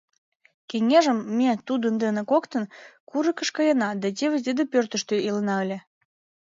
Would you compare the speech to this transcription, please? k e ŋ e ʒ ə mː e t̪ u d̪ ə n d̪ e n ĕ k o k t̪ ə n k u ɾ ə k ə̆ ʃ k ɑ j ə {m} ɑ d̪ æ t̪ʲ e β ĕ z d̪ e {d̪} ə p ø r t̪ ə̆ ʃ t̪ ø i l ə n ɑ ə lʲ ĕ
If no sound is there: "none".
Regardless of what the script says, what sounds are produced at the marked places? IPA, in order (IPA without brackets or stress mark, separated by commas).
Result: n, d̪